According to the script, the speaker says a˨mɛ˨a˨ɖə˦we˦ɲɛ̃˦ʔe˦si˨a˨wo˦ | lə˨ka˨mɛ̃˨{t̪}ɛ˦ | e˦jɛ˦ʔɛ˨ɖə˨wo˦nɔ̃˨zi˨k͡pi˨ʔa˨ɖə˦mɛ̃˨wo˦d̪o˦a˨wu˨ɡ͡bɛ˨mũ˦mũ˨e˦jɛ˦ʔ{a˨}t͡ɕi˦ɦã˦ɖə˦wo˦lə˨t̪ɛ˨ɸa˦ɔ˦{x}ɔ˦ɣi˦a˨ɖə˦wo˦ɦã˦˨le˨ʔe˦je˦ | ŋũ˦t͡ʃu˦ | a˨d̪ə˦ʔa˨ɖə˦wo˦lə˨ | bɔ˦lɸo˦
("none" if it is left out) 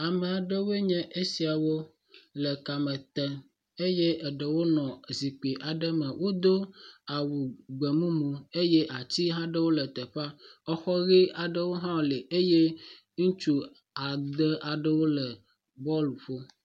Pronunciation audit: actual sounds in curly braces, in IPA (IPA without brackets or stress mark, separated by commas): t̪, a˨, x